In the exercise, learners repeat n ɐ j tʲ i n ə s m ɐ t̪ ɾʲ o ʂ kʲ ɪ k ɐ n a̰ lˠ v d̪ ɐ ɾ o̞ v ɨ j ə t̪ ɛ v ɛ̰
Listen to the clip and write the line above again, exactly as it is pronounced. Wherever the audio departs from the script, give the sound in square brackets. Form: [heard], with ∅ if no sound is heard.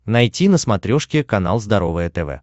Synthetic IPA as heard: n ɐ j tʲ i n ə s m ɐ t̪ ɾʲ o ʂ kʲ ɪ k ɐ n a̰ lˠ [z] d̪ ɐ ɾ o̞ v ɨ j ə t̪ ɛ v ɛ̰